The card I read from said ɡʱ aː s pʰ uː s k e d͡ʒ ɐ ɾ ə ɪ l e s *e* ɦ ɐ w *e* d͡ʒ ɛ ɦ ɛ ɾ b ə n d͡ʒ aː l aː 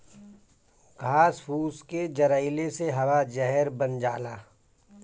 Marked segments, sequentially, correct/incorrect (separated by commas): correct, incorrect